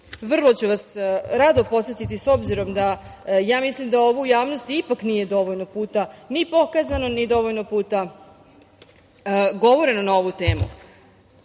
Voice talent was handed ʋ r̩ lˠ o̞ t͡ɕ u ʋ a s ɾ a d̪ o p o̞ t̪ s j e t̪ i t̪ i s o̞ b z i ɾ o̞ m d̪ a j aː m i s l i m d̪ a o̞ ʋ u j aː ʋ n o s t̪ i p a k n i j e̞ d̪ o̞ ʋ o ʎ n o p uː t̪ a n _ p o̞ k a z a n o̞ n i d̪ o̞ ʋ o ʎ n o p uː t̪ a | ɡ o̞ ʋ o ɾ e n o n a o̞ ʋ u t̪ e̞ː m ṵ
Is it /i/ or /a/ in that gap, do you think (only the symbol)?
i